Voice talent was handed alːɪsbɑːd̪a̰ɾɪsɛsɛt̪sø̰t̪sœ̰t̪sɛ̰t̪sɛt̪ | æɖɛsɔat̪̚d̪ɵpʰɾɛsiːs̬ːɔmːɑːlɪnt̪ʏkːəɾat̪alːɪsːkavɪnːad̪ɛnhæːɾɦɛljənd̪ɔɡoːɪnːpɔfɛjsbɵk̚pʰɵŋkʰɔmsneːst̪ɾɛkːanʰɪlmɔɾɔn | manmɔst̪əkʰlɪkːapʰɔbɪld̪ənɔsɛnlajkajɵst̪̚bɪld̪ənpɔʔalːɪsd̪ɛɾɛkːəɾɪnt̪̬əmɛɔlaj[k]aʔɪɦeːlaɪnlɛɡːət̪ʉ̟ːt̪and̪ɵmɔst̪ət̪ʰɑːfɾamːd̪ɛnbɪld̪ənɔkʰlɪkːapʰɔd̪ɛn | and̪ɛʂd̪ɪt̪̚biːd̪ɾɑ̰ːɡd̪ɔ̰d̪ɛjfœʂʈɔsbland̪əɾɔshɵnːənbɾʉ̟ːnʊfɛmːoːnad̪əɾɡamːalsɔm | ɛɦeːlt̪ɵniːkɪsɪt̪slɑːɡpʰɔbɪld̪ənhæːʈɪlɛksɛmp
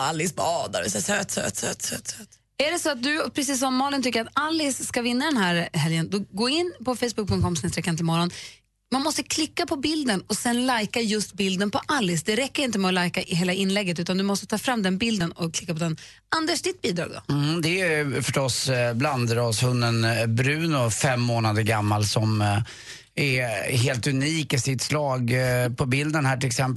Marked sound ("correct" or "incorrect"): correct